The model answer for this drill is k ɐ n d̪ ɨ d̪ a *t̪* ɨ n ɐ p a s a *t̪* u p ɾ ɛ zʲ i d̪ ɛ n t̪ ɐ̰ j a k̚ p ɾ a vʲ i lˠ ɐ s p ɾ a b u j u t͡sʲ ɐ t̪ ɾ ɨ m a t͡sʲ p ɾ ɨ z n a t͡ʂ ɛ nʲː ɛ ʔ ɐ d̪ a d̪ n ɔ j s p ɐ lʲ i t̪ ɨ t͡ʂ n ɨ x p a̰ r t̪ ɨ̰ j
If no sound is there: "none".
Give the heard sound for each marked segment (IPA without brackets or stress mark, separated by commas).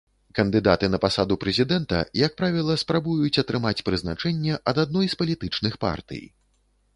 t̪, d̪